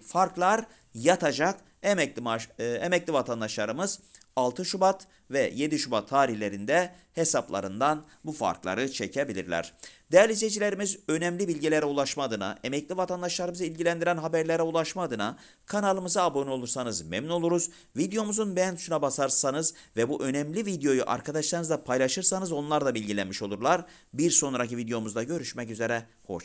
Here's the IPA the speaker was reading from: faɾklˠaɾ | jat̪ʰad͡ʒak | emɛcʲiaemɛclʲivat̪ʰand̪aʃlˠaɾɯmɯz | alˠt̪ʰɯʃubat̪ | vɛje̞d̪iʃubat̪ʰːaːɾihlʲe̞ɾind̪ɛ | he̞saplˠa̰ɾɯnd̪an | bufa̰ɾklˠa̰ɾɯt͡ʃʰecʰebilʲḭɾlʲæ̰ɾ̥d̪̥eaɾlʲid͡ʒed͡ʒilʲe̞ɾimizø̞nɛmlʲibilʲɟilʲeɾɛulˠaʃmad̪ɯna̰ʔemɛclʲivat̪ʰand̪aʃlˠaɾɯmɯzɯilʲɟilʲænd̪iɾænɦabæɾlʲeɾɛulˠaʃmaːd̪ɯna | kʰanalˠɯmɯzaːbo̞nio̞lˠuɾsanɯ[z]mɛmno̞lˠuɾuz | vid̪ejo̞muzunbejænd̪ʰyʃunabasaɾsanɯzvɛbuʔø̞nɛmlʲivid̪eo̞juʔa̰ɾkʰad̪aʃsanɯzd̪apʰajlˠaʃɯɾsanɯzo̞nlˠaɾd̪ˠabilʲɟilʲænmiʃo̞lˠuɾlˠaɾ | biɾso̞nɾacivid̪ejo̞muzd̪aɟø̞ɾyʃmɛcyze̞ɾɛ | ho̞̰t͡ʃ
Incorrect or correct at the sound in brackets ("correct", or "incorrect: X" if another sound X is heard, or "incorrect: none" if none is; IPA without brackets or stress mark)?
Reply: correct